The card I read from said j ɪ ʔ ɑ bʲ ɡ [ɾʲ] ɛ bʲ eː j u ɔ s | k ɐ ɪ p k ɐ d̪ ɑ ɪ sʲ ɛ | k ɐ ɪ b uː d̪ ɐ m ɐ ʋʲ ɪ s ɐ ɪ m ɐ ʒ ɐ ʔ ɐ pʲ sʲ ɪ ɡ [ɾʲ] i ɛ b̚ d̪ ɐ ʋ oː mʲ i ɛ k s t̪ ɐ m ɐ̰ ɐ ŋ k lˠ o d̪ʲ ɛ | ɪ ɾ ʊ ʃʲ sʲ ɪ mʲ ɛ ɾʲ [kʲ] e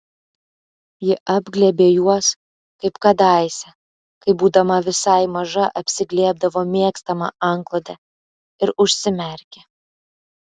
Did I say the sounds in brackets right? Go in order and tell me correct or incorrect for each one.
incorrect: lʲ, incorrect: lʲ, correct

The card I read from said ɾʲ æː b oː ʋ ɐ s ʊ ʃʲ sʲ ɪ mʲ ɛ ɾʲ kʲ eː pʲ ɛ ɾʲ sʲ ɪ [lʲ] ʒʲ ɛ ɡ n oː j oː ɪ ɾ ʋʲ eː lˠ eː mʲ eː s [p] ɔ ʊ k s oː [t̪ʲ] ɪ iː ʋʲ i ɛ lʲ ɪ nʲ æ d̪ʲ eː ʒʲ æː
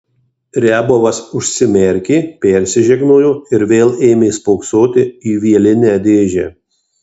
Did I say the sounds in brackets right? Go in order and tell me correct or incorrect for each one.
incorrect: none, correct, correct

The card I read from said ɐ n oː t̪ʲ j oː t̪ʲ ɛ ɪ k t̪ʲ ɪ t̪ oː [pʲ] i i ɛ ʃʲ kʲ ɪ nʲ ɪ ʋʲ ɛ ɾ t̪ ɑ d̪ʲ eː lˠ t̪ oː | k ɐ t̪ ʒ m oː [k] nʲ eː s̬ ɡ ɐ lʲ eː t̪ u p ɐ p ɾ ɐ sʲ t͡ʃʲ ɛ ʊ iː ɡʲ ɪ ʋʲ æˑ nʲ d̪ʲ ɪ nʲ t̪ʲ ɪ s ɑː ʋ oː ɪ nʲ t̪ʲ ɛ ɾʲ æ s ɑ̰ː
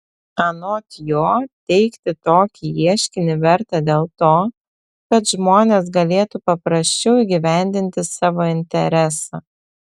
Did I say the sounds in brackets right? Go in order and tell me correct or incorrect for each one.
incorrect: kʲ, incorrect: none

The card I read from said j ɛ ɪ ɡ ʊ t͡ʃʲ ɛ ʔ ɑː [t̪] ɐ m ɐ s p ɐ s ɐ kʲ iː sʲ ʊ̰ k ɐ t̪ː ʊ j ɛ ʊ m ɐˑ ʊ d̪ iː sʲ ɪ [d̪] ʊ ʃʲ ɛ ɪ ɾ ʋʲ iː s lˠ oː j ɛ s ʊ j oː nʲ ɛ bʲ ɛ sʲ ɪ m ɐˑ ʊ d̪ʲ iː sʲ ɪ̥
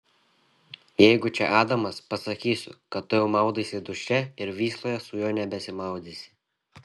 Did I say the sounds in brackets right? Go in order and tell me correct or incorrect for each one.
incorrect: d̪, correct

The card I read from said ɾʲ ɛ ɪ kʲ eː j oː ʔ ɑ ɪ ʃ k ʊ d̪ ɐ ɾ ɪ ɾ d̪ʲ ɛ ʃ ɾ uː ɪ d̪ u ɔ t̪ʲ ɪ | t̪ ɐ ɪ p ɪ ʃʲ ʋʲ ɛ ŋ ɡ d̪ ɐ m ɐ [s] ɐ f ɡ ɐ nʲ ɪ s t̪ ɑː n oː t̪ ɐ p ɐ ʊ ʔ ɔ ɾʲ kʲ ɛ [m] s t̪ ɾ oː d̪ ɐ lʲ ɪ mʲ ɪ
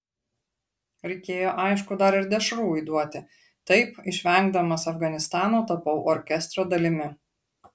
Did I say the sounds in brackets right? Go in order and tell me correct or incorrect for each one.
correct, incorrect: none

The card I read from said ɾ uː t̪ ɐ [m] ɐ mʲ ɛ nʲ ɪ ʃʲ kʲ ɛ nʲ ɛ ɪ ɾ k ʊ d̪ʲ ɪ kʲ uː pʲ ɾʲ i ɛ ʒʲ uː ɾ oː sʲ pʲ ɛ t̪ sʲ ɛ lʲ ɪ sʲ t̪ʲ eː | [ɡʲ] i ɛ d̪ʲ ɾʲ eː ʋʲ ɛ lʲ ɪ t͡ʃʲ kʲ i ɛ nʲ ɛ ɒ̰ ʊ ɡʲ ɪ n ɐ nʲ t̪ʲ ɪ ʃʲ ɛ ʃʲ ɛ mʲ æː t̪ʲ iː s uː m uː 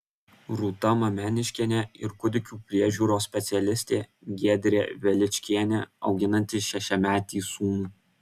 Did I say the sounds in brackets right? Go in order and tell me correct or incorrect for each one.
correct, correct

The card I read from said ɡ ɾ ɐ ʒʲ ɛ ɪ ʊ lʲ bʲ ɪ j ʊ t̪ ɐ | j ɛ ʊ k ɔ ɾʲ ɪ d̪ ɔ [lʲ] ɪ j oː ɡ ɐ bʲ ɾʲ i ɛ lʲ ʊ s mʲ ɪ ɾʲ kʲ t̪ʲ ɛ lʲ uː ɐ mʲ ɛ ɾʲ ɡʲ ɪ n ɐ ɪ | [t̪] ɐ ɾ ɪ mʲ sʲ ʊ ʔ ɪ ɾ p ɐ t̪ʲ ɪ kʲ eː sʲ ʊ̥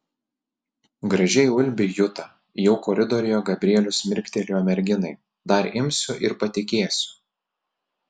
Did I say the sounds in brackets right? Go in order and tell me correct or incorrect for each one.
incorrect: ɾʲ, incorrect: d̪

